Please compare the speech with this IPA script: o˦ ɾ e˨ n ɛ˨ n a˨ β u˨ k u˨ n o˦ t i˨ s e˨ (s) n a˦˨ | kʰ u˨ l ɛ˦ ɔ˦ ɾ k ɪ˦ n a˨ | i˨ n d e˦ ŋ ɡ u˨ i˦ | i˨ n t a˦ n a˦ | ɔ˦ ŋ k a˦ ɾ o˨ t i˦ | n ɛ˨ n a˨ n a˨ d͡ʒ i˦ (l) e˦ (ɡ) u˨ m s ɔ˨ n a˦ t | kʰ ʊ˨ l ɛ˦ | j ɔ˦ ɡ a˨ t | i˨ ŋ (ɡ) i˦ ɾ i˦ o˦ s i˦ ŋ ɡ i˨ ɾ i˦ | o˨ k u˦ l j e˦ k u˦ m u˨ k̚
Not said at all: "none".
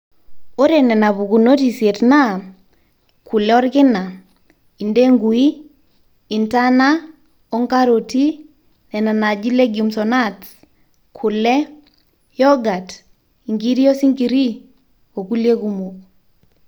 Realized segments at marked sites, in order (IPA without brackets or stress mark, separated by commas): t, l, ɡ, ɡ